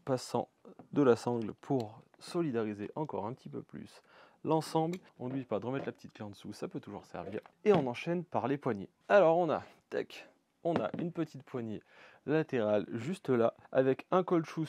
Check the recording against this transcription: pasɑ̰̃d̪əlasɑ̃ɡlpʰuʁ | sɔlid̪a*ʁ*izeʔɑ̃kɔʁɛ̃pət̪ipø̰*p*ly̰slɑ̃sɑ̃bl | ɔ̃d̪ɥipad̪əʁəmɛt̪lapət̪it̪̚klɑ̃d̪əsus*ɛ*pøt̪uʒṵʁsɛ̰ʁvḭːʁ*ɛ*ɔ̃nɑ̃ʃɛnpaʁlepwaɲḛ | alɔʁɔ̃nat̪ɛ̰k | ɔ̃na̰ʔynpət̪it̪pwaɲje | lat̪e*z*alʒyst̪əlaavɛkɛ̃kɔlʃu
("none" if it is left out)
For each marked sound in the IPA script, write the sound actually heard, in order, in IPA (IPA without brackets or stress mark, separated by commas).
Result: ʁ, p, a, e, ʁ